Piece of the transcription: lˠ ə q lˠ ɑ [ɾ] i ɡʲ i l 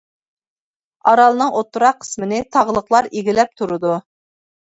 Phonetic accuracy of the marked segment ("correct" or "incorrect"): correct